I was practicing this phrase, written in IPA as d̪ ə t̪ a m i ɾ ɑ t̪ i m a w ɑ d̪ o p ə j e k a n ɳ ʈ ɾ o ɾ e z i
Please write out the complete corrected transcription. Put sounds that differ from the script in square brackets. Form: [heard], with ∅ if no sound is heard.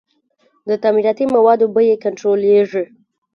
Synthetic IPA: d̪ ə t̪ a m i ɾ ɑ t̪ i m a w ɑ d̪ o [b] ə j e k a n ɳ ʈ ɾ o [l] e [ʐ] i